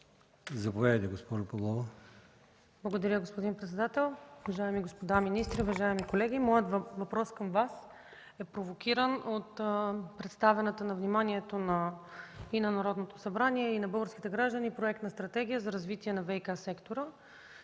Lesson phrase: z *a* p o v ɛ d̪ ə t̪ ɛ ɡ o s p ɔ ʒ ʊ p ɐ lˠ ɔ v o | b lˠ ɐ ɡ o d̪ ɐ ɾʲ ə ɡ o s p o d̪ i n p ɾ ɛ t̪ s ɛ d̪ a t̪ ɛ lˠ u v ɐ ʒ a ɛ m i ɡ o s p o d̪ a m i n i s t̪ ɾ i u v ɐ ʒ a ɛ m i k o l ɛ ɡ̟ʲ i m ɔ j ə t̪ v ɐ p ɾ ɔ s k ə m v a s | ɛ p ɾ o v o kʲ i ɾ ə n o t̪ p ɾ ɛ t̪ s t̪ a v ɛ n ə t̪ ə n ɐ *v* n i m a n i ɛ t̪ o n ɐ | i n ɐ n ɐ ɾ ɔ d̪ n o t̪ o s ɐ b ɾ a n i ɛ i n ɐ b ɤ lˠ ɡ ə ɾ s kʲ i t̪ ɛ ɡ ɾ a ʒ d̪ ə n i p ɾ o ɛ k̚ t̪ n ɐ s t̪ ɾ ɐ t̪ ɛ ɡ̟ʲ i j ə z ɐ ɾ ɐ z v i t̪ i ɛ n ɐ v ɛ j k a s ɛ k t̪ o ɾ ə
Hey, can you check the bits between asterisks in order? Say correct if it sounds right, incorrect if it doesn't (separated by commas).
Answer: incorrect, correct